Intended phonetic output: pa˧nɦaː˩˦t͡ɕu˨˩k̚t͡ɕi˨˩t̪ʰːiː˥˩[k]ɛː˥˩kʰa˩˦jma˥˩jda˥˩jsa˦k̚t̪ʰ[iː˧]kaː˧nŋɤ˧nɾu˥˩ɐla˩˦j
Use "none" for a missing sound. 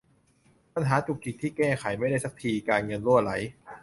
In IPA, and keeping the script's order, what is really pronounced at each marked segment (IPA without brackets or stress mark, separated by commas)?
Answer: k, iː˧